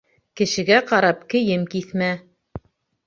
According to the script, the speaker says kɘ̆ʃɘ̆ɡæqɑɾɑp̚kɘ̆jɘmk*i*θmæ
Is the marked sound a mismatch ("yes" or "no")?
no